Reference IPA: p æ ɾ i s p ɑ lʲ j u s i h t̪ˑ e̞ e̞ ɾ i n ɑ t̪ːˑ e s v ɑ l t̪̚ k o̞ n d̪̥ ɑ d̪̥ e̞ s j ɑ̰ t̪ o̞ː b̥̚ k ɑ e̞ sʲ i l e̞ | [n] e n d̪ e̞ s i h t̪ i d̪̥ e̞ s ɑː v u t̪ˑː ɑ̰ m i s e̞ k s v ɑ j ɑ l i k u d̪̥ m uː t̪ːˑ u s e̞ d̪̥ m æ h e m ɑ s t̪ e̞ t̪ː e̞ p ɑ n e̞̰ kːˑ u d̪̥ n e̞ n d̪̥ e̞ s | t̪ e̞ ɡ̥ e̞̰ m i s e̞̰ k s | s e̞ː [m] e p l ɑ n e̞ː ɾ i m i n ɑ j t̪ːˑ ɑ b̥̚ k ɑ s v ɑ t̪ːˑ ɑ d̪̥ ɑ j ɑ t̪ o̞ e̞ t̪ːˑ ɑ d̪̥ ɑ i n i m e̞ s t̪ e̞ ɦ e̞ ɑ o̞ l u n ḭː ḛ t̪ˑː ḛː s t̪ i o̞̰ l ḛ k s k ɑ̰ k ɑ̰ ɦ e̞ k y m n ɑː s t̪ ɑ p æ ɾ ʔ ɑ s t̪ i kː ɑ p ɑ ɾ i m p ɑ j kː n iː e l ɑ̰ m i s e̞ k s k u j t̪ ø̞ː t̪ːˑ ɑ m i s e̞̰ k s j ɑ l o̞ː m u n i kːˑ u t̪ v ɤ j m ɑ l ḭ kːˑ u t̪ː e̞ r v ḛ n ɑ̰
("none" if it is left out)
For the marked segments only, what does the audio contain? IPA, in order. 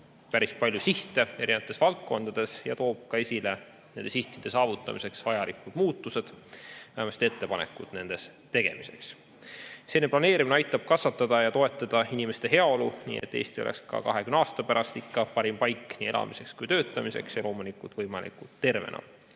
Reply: n, n

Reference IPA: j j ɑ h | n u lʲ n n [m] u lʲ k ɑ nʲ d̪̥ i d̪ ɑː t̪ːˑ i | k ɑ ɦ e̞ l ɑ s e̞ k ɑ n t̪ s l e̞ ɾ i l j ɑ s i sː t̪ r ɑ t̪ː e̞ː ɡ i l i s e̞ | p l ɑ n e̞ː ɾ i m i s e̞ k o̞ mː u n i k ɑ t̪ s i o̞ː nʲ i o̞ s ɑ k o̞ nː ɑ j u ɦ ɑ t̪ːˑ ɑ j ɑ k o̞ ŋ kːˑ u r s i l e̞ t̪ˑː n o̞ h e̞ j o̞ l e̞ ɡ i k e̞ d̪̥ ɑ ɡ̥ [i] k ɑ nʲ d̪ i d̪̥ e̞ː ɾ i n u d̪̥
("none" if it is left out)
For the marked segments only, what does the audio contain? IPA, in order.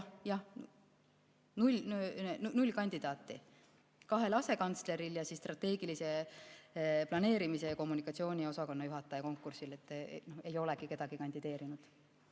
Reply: n, i

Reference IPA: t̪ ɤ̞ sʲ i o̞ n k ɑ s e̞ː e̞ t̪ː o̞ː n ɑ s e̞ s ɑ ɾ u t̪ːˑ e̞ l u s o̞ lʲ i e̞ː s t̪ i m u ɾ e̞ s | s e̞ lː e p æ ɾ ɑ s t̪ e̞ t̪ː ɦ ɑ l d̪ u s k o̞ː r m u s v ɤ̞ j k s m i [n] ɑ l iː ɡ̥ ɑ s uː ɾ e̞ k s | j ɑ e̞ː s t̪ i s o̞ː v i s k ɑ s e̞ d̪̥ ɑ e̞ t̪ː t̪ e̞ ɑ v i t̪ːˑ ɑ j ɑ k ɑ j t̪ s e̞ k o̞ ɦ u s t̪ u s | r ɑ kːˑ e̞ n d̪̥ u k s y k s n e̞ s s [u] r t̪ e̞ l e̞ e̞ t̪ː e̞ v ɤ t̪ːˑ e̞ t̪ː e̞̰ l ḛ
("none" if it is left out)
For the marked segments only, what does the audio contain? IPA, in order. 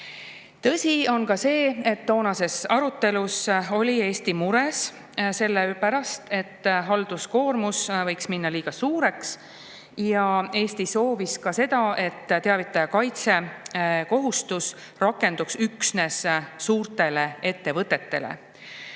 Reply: nː, uː

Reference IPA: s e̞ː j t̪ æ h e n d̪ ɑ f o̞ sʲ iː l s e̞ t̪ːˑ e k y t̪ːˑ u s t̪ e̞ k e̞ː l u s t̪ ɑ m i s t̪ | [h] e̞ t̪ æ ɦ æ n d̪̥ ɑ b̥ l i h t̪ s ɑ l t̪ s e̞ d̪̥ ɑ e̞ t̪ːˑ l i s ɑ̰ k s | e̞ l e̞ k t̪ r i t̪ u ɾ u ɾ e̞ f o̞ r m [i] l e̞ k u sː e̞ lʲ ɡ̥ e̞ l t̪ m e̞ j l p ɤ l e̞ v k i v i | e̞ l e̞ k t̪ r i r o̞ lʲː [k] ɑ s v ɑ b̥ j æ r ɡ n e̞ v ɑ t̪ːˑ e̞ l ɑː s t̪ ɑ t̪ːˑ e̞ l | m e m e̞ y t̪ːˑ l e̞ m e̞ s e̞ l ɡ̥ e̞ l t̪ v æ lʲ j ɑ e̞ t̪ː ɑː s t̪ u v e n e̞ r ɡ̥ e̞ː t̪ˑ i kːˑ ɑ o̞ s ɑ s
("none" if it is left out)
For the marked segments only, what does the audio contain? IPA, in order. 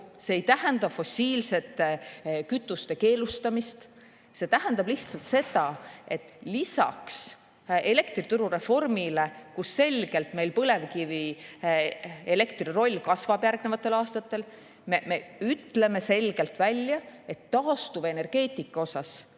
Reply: s, i, k

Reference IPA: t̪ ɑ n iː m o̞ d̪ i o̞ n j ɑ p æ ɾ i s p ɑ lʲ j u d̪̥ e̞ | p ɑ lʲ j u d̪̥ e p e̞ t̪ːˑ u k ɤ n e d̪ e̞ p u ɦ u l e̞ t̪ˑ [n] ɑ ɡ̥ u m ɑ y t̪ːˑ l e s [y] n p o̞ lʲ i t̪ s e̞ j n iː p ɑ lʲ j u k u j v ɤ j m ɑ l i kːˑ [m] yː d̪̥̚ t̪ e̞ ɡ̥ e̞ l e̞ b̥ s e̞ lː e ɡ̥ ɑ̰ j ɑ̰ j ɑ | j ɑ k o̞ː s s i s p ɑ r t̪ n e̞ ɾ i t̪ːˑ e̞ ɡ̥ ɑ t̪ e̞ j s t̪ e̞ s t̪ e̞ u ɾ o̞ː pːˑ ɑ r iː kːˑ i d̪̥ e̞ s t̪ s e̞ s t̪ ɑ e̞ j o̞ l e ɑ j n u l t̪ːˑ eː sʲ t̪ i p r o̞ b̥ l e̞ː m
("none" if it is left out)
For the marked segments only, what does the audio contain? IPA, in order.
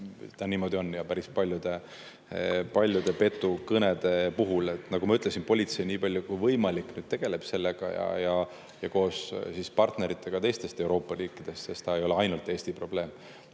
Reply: n, i, n

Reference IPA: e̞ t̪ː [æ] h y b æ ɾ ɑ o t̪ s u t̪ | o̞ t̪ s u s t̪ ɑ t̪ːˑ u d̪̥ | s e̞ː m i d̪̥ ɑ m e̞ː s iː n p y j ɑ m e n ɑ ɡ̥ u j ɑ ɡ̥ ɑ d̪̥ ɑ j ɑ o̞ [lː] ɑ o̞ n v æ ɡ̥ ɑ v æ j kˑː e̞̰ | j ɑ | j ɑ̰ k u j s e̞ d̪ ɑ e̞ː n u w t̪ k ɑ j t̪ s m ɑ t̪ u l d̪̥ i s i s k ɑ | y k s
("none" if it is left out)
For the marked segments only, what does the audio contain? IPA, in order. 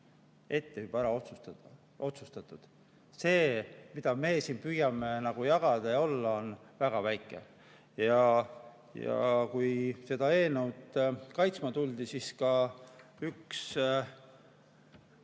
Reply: e, lː

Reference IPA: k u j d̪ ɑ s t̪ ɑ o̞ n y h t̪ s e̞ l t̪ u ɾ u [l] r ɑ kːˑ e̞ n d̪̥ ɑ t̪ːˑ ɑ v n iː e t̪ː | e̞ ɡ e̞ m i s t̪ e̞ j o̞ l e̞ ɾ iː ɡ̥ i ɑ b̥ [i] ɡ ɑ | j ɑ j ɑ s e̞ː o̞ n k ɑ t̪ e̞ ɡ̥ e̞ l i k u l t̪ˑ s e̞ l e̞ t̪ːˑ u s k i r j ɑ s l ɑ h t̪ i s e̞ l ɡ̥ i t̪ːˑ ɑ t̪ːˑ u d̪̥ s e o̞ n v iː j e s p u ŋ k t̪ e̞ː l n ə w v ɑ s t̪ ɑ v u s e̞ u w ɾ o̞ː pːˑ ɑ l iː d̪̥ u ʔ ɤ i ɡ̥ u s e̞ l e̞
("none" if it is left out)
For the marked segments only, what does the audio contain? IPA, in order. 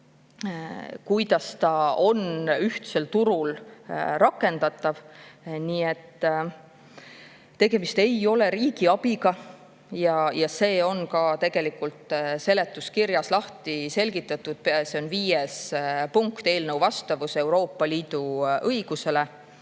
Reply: l, i

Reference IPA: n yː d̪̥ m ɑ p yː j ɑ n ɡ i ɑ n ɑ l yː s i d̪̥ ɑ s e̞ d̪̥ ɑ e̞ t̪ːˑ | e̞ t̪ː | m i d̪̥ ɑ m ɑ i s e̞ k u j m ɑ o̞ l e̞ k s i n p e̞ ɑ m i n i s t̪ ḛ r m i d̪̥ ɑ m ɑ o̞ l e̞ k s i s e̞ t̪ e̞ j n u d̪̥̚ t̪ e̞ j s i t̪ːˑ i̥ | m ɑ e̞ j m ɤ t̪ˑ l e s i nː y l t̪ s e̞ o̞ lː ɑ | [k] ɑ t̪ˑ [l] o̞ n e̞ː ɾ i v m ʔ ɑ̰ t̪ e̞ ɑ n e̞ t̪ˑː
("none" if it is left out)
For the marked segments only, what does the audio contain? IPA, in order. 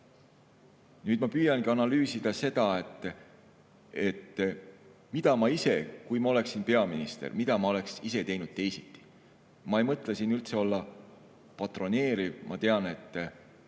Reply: p, r

